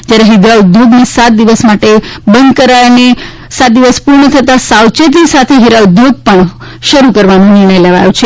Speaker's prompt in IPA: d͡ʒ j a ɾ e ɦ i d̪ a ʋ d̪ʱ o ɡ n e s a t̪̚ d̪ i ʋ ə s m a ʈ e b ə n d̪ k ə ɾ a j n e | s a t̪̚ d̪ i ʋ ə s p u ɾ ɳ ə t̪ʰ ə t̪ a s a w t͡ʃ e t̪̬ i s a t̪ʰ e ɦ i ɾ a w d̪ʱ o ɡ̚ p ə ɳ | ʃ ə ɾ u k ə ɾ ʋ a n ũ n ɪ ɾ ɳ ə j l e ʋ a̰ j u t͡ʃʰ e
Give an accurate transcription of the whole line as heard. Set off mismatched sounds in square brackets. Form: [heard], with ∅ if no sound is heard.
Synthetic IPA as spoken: d͡ʒ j a ɾ e ɦ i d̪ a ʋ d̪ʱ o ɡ n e s a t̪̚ d̪ i ʋ ə s m a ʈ e b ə n d̪ k ə ɾ a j n e | s a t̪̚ d̪ i ʋ ə s p u ɾ ɳ ə t̪ʰ ə t̪ a s a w t͡ʃ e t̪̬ i s a t̪ʰ e ɦ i ɾ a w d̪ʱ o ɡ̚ p ə ɳ | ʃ ə ɾ u k ə ɾ ʋ a n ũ n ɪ ɾ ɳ ə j l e ʋ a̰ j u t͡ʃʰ e